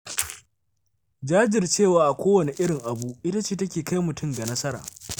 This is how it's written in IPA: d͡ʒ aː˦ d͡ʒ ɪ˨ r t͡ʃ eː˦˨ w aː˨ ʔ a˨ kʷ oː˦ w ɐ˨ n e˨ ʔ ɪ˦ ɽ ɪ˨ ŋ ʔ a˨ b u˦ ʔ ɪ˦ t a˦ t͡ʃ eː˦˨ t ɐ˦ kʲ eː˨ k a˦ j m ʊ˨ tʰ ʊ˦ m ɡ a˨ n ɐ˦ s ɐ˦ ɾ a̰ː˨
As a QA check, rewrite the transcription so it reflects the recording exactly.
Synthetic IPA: d͡ʒ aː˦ d͡ʒ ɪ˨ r t͡ʃ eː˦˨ w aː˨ ʔ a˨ kʷ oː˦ w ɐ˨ n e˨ ʔ ɪ˦ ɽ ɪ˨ ŋ ʔ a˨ b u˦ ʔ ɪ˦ t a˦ t͡ʃ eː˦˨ t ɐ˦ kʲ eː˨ k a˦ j m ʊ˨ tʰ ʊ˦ m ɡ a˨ n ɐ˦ s ɐ˦ ɾ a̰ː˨